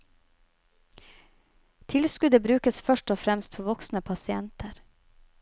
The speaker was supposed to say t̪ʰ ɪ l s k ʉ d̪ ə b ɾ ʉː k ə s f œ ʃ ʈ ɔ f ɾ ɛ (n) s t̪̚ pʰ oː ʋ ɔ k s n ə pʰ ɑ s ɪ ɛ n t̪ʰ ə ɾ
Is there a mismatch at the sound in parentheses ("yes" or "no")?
yes